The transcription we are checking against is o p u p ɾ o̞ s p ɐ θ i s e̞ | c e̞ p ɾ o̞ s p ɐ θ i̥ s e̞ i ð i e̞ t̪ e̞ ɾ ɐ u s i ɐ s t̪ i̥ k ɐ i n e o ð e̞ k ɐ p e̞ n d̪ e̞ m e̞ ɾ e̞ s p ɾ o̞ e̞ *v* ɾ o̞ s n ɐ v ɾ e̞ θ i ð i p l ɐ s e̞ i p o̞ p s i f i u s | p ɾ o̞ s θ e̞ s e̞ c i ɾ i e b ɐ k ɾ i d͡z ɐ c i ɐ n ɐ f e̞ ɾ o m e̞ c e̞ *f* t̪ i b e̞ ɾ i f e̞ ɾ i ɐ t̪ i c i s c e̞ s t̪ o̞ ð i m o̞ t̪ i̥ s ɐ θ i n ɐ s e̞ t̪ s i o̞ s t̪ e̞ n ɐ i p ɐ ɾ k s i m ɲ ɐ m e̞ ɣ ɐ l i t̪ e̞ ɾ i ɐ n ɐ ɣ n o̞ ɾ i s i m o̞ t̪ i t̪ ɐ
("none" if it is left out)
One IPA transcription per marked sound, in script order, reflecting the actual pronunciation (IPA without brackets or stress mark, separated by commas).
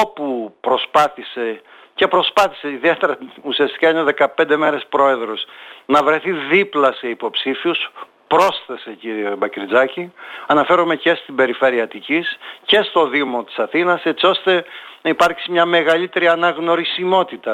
ð, s